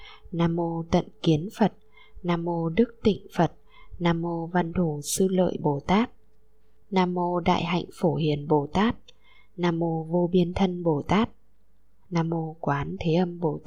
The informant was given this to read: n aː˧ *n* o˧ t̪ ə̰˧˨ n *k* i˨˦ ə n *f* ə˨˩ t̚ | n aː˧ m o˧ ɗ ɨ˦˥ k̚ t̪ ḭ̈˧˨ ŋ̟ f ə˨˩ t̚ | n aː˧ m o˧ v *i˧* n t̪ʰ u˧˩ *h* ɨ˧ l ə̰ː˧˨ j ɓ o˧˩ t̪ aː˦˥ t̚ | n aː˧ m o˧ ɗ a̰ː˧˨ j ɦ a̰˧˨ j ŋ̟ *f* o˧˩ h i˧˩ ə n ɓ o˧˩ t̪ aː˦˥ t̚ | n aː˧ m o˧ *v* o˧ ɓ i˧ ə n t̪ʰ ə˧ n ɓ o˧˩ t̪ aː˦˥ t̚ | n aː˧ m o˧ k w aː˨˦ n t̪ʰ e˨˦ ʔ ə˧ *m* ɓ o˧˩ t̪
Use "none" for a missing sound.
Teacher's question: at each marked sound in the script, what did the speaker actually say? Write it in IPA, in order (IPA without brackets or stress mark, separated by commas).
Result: m, k, f, a˧, s, f, v, m